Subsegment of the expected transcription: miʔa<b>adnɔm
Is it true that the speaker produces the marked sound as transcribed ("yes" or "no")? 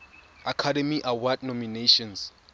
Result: no